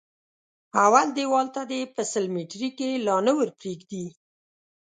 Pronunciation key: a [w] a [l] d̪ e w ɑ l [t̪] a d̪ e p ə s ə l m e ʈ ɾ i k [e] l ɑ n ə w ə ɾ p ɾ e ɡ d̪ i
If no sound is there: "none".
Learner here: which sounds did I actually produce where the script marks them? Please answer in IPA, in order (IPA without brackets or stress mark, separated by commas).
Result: w, l, t̪, e